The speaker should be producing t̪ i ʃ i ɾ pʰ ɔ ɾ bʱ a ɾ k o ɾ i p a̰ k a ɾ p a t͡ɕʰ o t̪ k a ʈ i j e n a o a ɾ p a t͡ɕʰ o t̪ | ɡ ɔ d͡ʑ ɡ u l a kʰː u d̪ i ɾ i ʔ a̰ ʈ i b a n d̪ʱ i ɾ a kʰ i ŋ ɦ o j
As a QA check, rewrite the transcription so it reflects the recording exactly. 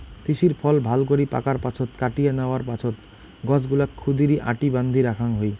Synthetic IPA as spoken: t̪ i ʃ i ɾ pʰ ɔ l bʱ a l k o ɾ i p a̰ k a ɾ p a t͡ɕʰ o t̪ k a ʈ i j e n a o a ɾ p a t͡ɕʰ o t̪ | ɡ ɔ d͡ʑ ɡ u l a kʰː u d̪ i ɾ i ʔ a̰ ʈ i b a n d̪ʱ i ɾ a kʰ a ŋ ɦ o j